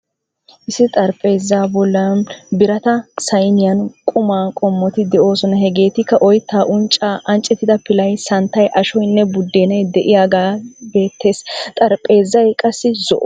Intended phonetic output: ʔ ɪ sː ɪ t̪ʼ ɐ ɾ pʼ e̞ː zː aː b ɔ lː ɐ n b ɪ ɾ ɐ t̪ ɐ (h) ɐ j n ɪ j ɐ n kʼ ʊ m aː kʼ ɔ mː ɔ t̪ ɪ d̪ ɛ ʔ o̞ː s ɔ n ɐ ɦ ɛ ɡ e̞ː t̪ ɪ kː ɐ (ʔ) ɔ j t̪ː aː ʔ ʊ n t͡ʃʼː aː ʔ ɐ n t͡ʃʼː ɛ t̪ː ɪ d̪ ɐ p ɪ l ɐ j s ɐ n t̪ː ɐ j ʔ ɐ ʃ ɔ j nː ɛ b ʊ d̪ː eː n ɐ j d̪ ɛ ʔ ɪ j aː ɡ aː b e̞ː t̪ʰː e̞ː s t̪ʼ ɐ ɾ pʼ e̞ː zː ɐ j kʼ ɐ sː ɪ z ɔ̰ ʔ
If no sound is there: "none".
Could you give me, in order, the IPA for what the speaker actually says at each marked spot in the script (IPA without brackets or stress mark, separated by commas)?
s, ʔ